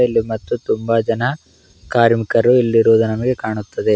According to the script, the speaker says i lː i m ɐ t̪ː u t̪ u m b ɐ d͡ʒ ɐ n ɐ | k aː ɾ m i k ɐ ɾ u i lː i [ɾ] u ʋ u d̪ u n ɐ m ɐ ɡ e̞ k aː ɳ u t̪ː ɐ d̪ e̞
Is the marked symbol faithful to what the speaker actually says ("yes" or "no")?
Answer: yes